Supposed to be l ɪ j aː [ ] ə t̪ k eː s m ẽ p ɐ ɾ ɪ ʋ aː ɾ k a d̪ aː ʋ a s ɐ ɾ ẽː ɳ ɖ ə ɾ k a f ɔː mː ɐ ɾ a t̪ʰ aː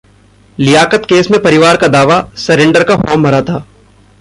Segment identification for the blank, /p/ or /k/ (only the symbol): k